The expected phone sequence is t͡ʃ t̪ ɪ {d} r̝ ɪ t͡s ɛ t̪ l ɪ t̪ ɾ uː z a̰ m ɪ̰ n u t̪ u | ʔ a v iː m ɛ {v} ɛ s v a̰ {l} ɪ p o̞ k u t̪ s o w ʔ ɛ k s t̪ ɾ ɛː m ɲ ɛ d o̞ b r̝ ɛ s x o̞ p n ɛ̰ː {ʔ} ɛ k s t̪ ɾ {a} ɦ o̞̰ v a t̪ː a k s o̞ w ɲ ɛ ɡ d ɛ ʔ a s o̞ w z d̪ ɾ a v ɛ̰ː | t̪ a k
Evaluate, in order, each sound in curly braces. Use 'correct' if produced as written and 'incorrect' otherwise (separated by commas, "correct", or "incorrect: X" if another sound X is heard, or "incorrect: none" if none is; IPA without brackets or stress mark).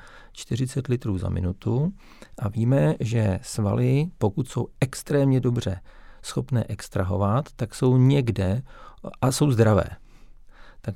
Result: incorrect: none, incorrect: ʒ, correct, correct, correct